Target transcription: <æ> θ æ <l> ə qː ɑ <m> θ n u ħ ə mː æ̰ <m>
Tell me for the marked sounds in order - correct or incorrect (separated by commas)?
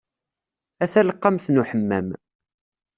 correct, correct, correct, correct